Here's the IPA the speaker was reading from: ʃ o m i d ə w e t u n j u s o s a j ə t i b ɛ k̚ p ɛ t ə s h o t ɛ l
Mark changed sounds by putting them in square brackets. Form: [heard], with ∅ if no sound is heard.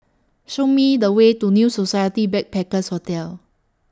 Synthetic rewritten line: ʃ o m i d ə w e t u n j u s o s a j ə t i b ɛ k̚ p ɛ [k] ə s h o t ɛ l